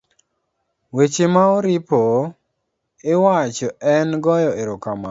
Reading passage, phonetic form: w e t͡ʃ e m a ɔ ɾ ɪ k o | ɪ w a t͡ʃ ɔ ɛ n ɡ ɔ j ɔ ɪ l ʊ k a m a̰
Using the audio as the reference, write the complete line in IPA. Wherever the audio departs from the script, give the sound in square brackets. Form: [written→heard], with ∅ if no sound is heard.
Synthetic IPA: w e t͡ʃ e m a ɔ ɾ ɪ [k→p] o | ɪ w a t͡ʃ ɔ ɛ n ɡ ɔ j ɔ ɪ [l→ɾ] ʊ k a m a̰